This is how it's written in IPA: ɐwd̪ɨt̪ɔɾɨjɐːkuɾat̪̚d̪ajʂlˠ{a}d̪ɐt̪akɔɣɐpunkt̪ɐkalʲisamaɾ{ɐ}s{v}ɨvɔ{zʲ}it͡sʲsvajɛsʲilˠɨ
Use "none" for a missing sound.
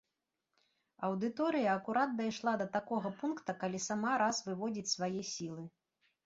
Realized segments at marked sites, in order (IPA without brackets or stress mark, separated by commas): a, a, v, d͡zʲ